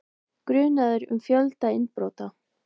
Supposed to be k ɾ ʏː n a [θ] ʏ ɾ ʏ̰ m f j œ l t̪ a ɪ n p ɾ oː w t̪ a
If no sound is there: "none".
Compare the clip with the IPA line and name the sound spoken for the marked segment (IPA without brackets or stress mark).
ð